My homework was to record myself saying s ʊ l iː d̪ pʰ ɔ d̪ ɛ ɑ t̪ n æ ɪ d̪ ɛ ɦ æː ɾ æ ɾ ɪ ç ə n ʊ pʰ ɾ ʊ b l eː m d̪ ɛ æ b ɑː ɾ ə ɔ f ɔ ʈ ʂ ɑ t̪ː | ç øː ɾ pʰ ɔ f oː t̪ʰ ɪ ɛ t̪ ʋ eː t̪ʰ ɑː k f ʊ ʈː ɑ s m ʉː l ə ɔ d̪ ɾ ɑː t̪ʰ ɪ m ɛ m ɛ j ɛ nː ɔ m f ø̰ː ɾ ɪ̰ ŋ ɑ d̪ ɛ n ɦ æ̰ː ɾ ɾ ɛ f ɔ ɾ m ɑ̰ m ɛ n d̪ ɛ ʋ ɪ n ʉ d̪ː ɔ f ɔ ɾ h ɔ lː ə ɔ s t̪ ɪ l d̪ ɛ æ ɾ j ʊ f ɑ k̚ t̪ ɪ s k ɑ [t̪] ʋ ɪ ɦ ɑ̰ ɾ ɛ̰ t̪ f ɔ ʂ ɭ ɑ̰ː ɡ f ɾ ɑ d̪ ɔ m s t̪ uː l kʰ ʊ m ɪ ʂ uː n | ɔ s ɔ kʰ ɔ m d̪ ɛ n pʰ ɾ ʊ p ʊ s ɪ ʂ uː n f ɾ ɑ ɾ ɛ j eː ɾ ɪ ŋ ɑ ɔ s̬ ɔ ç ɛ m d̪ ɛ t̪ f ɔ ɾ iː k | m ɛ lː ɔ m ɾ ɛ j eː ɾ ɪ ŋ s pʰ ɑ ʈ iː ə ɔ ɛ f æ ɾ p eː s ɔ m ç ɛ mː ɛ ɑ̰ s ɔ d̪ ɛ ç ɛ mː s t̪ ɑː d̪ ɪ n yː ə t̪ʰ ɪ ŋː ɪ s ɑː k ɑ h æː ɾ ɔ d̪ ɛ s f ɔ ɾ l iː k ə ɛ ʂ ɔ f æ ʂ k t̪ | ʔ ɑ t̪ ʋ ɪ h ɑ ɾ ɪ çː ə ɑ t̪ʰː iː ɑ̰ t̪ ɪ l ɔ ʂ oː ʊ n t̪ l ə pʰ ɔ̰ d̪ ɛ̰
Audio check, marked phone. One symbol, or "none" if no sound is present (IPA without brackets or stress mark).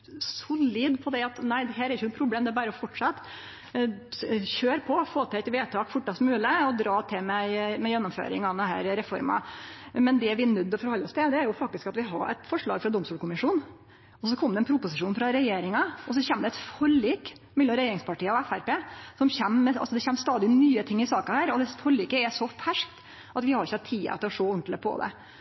t̪